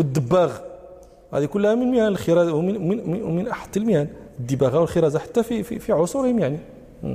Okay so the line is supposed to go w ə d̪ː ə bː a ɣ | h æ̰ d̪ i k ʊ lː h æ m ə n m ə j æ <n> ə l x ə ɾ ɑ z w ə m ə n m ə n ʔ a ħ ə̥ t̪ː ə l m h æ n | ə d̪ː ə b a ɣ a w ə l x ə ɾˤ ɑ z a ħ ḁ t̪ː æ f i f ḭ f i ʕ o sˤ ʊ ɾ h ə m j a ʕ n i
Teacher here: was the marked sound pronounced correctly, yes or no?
yes